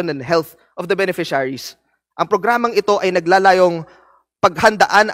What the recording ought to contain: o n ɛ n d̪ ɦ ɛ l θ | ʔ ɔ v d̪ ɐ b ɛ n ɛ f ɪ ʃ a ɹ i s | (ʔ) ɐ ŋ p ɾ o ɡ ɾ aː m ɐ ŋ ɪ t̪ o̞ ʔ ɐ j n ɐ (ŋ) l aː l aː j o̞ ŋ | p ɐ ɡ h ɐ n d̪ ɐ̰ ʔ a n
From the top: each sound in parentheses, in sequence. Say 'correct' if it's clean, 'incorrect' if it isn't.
correct, incorrect

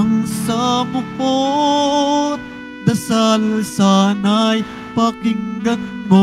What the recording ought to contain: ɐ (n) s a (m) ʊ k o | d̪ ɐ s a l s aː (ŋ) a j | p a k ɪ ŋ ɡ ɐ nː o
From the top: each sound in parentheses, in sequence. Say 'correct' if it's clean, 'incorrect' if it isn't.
incorrect, correct, incorrect

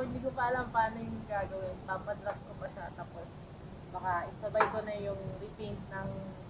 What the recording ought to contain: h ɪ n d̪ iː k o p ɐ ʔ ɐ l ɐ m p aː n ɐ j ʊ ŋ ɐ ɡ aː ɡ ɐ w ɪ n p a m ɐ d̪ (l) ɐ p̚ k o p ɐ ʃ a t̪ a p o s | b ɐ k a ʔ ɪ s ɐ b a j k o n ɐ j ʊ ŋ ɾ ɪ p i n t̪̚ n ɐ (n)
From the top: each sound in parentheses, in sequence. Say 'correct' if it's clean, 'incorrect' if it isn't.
incorrect, incorrect

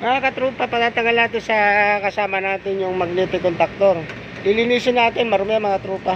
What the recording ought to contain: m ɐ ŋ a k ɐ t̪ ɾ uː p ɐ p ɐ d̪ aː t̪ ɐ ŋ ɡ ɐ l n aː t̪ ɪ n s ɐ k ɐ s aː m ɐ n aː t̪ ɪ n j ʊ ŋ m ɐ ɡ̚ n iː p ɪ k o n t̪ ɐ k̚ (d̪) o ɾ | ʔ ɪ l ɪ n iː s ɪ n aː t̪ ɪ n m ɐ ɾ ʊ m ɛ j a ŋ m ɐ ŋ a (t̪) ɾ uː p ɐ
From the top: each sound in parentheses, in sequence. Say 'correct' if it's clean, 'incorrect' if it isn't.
incorrect, correct

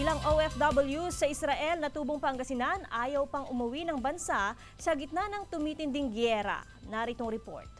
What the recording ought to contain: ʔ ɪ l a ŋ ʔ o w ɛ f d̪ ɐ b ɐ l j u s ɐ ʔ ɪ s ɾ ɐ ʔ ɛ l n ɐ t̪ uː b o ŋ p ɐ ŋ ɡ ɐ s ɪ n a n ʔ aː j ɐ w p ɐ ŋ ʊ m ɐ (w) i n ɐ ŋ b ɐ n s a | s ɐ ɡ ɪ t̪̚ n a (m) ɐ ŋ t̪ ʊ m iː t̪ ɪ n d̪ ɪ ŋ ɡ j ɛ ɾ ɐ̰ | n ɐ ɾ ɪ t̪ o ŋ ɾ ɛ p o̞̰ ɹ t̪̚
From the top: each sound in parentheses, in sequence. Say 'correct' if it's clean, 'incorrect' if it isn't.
correct, incorrect

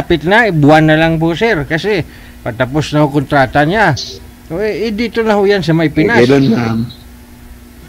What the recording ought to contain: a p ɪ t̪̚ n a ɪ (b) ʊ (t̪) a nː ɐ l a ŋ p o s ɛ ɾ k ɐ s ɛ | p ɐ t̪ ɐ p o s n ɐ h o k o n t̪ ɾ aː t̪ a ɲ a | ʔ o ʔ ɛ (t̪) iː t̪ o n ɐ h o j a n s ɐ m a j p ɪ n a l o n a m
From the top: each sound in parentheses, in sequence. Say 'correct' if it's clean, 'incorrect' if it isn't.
correct, incorrect, incorrect

